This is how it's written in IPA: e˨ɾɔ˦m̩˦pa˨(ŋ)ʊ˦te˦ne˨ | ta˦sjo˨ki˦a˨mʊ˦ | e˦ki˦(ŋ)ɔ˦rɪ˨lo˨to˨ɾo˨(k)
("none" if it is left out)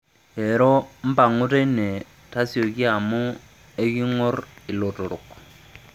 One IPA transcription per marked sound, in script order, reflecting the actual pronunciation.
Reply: ŋ, ŋ, k

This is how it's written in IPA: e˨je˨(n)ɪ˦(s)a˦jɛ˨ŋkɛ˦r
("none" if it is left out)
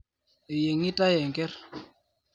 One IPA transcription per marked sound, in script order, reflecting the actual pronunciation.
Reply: ŋ, t

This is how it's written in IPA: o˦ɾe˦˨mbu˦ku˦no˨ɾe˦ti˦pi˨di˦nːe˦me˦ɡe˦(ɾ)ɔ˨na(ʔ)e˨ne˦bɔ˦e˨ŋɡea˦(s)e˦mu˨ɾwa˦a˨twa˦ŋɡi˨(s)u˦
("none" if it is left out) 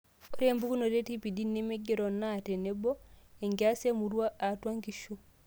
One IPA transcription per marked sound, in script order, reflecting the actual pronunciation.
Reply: ɾ, t, s, ʃ

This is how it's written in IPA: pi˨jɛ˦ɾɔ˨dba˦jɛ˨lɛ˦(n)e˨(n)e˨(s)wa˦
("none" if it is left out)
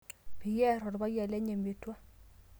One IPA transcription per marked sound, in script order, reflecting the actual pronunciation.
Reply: ɲ, m, t

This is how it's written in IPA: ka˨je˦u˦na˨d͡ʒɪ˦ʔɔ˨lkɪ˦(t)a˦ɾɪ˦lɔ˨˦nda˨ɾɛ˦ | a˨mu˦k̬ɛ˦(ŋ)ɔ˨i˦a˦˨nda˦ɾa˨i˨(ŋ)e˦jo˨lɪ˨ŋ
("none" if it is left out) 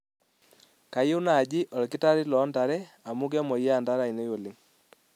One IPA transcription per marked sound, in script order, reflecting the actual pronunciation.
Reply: t, m, n

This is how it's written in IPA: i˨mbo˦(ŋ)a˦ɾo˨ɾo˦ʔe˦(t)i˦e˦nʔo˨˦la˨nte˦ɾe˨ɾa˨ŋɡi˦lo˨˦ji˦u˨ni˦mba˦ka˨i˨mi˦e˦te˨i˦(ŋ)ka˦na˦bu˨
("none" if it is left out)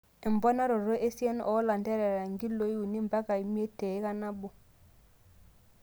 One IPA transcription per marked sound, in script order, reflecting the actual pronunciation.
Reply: n, s, none

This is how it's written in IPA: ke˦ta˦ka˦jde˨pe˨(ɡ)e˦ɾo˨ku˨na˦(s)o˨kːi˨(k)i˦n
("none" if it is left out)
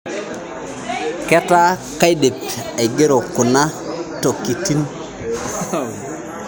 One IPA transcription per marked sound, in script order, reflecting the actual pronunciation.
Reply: ɡ, t, t

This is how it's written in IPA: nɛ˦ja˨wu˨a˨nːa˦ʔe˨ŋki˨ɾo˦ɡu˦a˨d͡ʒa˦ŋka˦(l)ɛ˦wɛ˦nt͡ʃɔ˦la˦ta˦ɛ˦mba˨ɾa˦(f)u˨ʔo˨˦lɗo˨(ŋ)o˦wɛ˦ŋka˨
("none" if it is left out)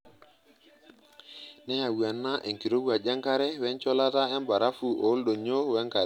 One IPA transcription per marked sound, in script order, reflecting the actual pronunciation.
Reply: ɾ, f, ɲ

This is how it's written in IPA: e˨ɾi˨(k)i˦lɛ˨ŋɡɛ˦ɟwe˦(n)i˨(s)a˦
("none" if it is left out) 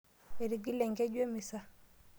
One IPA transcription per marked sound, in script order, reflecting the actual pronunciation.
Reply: ɡ, m, s

